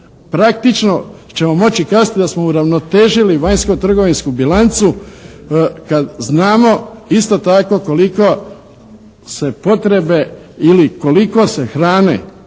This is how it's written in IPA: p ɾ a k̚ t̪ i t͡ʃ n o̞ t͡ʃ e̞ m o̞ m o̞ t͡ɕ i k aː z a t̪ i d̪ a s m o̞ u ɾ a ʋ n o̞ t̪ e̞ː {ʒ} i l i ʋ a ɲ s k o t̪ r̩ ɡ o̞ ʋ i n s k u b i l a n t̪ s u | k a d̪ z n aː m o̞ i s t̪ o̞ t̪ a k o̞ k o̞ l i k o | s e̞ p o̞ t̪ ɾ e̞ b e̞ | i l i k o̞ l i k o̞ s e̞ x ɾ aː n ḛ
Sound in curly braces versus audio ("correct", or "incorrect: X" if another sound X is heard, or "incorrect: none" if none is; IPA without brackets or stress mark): correct